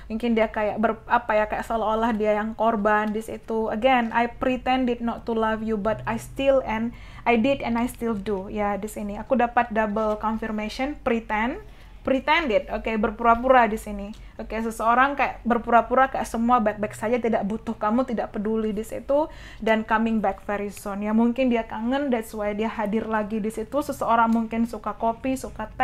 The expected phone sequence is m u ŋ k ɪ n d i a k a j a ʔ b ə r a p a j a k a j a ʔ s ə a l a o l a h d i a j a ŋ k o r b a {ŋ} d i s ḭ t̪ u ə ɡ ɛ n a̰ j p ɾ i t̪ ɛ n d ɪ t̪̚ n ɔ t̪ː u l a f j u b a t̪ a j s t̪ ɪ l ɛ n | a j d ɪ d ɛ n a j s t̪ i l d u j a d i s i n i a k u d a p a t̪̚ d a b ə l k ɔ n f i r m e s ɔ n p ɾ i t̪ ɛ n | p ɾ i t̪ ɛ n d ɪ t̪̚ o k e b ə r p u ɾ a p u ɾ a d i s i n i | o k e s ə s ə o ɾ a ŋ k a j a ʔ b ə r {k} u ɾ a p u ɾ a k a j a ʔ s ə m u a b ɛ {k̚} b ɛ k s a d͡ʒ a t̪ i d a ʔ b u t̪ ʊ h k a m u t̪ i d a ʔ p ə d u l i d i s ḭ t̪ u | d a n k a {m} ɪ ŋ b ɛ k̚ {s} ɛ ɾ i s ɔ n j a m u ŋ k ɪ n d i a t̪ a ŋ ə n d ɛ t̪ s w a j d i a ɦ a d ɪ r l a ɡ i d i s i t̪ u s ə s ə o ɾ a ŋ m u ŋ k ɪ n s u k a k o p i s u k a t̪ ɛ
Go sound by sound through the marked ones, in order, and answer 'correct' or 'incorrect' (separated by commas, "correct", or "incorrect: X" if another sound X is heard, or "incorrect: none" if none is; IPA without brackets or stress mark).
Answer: incorrect: n, incorrect: p, correct, correct, incorrect: f